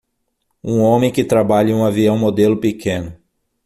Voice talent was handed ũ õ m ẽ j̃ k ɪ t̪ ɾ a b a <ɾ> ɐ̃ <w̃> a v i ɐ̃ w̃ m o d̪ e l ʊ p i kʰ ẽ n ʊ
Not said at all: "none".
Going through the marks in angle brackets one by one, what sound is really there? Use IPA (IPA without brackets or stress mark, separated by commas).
ʎ, ũ